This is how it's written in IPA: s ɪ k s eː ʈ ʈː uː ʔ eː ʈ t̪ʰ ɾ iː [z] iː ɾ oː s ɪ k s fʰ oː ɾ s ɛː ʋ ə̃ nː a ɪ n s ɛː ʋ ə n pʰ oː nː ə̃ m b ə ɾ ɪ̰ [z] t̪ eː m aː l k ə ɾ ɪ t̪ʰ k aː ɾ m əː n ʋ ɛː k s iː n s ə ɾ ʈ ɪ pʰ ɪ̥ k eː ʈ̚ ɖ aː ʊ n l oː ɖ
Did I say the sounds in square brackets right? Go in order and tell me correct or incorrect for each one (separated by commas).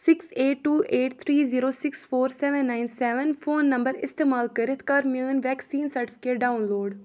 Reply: correct, incorrect